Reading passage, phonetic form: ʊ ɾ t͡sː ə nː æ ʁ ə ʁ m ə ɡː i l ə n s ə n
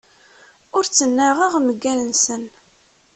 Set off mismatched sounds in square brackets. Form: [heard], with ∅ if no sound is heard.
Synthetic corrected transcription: ʊ ɾ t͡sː ə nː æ ʁ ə ʁ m ə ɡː [æ] l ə n s ə n